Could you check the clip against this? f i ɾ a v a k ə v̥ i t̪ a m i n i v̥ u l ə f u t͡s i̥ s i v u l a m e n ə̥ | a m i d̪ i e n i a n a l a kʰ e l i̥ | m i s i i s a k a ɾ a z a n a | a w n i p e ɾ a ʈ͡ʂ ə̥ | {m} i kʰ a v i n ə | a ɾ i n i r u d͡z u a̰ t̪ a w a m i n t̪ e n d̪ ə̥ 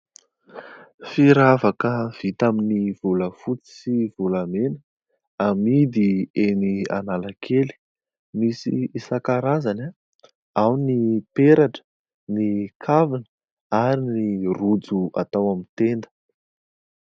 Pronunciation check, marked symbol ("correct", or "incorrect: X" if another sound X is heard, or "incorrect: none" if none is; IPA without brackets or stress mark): incorrect: n